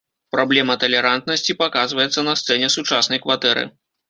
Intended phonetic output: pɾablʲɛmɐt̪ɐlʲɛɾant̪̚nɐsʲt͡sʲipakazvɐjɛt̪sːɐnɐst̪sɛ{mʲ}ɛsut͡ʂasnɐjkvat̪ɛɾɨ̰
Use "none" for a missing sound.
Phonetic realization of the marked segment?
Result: nʲ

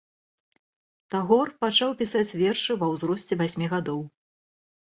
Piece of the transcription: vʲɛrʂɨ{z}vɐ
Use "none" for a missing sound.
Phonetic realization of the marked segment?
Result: none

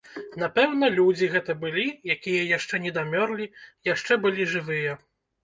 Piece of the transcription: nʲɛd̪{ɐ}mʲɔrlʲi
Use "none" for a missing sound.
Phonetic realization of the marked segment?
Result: a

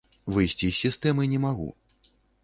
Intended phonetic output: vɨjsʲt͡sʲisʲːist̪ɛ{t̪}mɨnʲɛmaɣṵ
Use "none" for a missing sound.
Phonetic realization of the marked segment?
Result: none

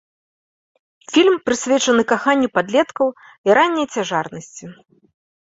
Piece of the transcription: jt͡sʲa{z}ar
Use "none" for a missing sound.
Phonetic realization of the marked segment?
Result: ʐ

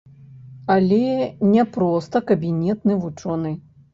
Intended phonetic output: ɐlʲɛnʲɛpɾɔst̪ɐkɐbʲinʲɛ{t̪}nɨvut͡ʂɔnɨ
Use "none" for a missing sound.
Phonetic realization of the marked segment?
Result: t̪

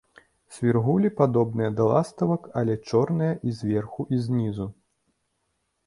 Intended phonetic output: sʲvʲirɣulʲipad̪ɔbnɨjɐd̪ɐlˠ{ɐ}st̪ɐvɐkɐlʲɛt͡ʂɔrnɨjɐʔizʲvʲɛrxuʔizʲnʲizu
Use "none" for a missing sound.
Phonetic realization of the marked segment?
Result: a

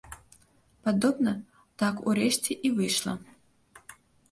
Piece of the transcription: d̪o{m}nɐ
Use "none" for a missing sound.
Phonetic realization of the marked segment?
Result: b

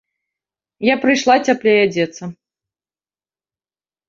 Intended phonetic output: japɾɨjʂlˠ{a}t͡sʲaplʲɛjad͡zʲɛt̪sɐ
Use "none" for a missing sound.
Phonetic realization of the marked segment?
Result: a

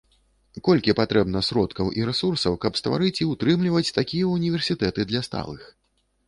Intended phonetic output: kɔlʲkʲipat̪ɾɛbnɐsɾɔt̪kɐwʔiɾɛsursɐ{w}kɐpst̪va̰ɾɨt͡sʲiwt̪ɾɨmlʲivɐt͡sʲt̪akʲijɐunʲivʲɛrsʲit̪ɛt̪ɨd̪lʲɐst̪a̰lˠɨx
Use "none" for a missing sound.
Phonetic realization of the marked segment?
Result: w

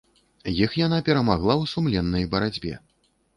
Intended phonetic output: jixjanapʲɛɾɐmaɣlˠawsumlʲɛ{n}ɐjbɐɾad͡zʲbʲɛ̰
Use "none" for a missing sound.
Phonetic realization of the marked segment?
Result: nː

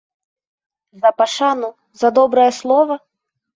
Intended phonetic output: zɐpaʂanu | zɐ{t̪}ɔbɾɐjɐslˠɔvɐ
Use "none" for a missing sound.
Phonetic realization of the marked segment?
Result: d̪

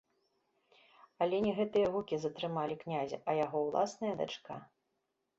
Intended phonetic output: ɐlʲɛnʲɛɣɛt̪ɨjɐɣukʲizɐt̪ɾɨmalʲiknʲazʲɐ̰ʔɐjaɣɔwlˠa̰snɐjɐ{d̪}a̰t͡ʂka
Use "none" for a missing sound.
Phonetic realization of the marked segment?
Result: d̪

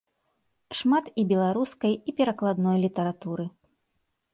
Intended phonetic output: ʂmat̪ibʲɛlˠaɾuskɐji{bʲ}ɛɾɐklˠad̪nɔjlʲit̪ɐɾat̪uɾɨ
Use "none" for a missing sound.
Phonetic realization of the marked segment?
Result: pʲ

